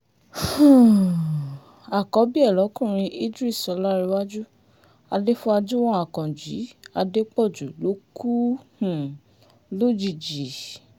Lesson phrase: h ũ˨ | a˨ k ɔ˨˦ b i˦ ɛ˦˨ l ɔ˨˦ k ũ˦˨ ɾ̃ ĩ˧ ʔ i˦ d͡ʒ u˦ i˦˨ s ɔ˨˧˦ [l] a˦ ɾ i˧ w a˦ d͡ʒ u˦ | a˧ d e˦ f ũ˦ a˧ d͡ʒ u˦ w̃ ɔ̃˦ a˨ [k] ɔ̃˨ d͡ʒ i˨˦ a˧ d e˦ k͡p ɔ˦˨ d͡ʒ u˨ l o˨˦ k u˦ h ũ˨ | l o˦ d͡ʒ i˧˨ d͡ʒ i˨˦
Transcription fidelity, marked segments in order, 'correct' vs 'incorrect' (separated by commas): correct, correct